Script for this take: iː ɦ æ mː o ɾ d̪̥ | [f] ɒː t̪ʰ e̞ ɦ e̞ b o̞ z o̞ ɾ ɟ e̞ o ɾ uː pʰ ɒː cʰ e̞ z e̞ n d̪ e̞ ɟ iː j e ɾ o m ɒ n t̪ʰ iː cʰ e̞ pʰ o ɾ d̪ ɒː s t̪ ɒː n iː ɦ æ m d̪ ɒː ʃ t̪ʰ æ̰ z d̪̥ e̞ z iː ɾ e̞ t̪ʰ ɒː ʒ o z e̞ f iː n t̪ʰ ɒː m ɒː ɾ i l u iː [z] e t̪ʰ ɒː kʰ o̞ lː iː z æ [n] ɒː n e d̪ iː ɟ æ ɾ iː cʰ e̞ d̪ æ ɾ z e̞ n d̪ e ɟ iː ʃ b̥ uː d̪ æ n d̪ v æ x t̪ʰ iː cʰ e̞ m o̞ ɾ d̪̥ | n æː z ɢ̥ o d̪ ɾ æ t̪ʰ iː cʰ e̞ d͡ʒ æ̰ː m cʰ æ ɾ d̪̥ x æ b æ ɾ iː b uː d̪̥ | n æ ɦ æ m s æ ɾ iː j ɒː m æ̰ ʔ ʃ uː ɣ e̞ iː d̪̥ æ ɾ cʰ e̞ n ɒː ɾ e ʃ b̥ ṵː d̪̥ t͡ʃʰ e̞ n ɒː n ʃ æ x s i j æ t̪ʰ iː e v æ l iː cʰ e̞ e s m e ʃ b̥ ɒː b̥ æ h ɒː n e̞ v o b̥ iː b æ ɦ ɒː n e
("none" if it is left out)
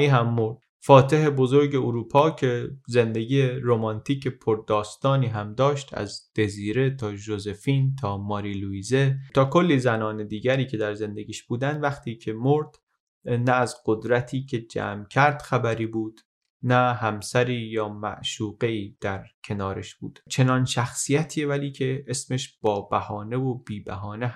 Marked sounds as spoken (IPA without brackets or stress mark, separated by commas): f, z, n